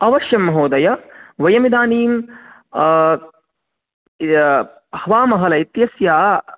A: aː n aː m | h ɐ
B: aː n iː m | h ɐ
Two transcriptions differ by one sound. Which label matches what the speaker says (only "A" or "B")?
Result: B